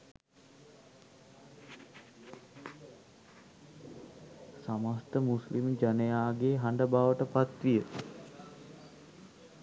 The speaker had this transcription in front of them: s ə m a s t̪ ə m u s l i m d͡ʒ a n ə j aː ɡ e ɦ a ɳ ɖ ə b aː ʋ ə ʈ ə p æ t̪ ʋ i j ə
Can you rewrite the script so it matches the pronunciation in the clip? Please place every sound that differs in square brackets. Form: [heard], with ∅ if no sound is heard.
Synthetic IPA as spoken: s [a] m a s t̪ ə m u s l i m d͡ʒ a n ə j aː ɡ e ɦ a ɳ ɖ ə b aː ʋ ə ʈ ə p [a] t̪ ʋ i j ə